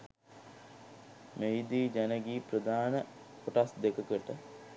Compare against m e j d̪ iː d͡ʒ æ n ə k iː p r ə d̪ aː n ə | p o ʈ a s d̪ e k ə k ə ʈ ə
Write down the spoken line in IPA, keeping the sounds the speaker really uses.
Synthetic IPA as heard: m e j d̪ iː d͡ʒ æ n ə ɡ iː p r ə d̪ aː n ə | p o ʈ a s d̪ e k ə k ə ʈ ə